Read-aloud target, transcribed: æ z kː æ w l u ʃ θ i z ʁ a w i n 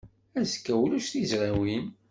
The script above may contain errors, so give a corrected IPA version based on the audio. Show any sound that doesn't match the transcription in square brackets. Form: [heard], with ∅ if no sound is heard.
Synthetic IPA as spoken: æ z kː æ w l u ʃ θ i z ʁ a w i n